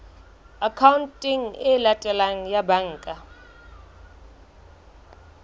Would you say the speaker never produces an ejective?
no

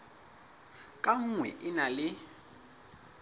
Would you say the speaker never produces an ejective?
no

